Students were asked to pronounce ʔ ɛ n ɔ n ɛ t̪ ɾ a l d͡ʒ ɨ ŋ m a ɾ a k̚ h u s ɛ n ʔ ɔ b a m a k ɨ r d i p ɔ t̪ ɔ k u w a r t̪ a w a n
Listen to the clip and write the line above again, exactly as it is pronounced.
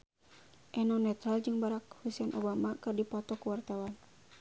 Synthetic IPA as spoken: ʔ ɛ n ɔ n ɛ t̪ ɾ a l d͡ʒ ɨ ŋ b a ɾ a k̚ h u s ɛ n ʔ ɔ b a m a k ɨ r d i p ɔ t̪ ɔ k u w a r t̪ a w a n